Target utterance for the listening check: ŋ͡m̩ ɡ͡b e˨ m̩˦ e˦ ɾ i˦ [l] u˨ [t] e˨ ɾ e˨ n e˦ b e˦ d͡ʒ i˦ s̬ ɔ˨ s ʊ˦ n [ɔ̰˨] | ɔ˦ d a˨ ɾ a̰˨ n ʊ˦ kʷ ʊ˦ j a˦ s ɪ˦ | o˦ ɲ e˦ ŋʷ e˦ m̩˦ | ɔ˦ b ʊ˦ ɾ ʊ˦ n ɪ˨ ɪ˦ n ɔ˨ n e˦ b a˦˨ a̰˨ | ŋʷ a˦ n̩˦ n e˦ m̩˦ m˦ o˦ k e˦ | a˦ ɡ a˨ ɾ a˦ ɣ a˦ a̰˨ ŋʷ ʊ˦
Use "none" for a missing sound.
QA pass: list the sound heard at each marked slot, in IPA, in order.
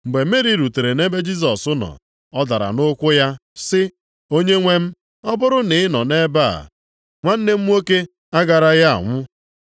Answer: ɾ, t, ɔ̰˨

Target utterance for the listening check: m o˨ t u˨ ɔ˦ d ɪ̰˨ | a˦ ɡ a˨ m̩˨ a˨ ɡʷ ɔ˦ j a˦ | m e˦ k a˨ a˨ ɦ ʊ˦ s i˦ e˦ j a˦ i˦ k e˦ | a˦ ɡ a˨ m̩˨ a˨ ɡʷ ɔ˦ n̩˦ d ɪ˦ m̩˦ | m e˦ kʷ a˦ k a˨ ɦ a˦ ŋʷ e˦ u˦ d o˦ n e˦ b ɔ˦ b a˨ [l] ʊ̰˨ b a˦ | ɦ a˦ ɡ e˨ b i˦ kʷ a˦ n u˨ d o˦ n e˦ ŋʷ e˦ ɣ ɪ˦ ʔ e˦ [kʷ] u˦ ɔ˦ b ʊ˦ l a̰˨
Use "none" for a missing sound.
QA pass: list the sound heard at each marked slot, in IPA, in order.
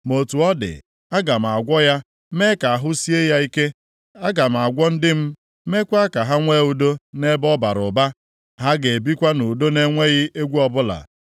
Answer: ɾ, ɡʷ

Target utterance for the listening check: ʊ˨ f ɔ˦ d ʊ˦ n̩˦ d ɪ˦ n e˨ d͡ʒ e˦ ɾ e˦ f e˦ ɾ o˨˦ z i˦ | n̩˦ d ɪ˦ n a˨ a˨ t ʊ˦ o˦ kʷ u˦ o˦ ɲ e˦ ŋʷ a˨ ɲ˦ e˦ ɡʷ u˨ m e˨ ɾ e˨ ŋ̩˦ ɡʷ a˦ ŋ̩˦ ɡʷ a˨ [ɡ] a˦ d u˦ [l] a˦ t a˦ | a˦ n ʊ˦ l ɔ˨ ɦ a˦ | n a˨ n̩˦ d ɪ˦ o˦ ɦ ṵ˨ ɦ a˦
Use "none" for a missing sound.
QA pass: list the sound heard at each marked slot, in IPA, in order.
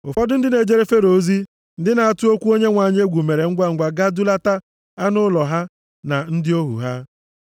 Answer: ɡ, l

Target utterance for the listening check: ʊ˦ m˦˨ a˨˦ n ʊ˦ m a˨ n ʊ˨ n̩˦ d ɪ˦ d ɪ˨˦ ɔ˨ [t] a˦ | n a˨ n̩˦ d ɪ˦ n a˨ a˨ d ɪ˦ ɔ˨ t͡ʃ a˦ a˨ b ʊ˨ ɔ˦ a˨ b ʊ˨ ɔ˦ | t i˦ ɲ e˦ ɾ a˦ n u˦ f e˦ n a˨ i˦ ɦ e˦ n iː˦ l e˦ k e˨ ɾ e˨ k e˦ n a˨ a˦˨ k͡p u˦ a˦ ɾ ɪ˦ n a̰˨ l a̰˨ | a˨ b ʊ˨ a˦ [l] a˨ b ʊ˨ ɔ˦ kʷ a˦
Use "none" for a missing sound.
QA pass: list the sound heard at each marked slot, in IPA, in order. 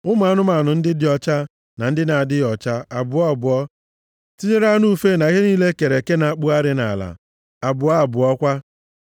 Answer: t͡ʃ, none

